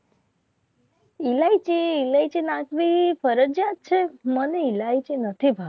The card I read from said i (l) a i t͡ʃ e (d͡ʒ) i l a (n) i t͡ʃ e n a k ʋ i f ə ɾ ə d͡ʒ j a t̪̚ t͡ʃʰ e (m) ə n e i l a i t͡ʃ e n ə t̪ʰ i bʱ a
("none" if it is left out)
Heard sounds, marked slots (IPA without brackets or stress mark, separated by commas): l, none, none, m